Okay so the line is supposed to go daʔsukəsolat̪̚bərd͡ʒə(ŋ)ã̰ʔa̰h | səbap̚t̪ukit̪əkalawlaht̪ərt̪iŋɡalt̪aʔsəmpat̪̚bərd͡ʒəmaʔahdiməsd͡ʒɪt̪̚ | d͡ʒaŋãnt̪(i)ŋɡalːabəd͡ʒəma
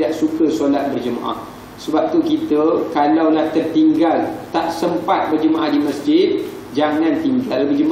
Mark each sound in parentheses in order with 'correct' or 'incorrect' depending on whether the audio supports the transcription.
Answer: incorrect: m, correct

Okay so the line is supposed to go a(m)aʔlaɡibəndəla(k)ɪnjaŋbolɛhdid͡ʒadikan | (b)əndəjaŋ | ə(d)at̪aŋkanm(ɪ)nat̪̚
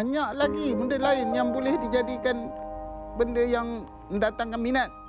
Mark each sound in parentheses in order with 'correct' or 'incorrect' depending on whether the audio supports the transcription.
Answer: incorrect: ɲ, incorrect: none, correct, correct, incorrect: i

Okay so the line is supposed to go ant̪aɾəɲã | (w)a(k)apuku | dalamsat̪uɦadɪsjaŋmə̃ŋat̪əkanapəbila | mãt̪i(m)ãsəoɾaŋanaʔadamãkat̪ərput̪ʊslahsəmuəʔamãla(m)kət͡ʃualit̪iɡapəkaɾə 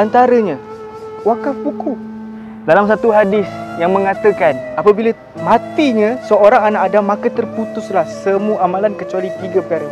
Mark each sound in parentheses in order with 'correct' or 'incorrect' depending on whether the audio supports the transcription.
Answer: correct, correct, incorrect: ɲ, incorrect: n

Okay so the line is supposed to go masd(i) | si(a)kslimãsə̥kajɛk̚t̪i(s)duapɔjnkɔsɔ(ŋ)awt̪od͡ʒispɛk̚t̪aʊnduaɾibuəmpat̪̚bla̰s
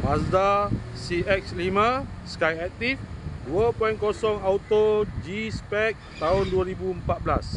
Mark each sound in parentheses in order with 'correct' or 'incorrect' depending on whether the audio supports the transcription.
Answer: incorrect: a, incorrect: ɛ, incorrect: f, correct

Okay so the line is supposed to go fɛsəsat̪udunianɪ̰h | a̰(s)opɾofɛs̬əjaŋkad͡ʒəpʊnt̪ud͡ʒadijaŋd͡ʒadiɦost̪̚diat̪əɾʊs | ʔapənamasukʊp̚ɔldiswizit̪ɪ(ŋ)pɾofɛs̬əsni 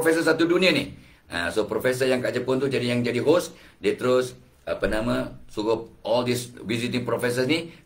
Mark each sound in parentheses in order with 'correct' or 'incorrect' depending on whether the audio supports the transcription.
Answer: correct, correct

